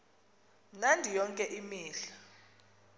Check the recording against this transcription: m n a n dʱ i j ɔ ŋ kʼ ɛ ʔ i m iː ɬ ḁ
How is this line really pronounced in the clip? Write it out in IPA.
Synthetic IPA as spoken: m n a n dʱ i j ɔ ŋ kʼ ɛ ʔ i m iː ɬ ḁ